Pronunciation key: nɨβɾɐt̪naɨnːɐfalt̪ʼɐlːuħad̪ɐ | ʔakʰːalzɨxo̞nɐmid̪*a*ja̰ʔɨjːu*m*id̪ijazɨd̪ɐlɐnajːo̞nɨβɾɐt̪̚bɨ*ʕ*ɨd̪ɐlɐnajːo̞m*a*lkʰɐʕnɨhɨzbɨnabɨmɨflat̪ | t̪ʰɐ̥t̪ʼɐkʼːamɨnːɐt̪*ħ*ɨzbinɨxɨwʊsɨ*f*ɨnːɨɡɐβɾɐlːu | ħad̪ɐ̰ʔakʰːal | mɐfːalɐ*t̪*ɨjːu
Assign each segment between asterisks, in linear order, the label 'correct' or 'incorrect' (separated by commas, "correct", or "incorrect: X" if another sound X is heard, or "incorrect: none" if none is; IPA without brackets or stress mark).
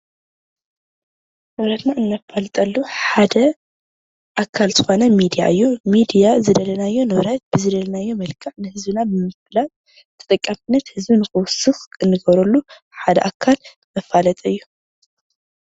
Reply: incorrect: i, correct, incorrect: z, incorrect: ɐ, incorrect: h, incorrect: x, incorrect: t̪ʼ